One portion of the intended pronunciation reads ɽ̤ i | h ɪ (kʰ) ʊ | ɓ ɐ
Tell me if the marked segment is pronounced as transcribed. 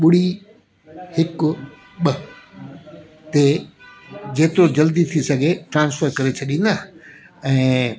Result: no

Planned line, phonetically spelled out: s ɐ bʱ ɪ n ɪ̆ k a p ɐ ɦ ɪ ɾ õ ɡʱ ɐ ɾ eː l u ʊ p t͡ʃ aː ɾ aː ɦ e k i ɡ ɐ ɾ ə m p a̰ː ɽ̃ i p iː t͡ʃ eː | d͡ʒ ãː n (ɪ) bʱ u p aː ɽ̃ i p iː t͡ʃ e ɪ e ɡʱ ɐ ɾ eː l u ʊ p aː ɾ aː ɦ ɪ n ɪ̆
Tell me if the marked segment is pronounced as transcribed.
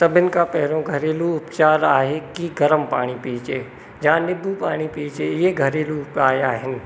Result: yes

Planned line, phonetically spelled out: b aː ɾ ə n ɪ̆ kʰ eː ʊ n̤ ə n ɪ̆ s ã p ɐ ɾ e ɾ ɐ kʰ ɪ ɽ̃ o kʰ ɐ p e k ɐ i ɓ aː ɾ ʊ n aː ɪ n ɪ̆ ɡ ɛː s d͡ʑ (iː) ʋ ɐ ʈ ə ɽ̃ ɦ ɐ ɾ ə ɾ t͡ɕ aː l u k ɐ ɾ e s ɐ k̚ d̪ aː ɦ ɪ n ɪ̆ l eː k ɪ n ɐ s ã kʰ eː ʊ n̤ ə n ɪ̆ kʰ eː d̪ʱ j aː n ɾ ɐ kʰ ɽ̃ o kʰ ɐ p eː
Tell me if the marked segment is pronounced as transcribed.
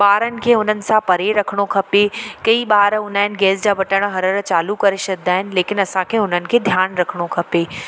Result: no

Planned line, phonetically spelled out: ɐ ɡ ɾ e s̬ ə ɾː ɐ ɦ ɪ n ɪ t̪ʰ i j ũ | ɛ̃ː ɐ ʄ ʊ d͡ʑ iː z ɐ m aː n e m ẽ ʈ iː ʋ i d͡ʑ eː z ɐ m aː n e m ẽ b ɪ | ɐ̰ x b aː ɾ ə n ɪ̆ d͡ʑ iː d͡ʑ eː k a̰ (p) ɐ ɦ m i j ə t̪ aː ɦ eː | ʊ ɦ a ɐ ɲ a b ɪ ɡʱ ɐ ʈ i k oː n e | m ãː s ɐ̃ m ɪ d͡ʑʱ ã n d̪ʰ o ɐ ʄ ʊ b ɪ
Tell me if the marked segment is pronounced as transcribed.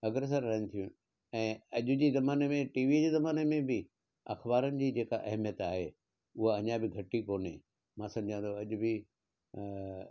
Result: no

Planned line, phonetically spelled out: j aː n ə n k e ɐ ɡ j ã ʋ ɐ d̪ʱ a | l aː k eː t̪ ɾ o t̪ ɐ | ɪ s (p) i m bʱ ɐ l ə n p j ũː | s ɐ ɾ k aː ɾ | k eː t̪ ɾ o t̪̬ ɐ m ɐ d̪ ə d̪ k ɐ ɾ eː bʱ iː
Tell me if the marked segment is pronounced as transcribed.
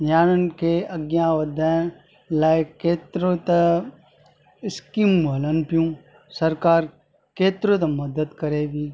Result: no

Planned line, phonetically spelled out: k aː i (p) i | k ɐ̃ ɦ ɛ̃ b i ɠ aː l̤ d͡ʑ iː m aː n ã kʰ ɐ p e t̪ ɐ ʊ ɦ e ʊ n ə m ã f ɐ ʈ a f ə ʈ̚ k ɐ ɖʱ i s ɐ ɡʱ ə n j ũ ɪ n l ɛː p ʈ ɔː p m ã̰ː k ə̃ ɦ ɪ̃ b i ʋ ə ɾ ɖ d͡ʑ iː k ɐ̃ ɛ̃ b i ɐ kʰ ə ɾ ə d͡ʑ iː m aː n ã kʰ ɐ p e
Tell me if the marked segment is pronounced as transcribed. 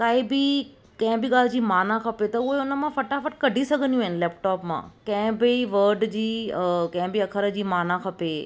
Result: no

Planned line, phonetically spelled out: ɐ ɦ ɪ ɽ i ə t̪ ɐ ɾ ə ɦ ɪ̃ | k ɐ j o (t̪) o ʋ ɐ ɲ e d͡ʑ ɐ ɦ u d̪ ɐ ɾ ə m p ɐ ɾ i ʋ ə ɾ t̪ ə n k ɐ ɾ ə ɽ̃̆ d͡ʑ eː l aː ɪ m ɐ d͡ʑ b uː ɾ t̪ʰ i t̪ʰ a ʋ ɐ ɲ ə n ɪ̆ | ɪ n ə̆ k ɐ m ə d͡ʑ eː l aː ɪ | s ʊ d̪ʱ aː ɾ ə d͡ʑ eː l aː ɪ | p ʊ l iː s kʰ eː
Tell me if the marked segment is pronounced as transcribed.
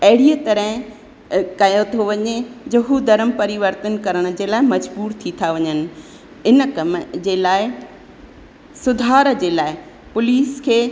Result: no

